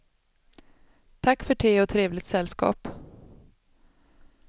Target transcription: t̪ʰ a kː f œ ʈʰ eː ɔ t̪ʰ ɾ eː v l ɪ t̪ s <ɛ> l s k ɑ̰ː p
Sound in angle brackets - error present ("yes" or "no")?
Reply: no